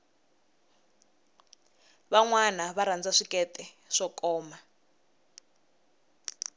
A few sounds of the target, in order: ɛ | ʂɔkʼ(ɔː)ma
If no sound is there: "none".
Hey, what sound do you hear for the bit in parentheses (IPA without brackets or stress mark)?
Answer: ɔː